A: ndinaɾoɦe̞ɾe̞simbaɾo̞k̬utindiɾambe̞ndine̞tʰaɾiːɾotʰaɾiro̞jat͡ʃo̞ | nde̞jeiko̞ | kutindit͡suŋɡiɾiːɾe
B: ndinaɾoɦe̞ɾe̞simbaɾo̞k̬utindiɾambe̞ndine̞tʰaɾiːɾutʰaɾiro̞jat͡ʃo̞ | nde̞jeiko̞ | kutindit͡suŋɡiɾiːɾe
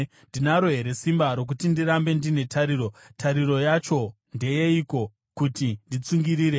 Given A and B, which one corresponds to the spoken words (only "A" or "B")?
A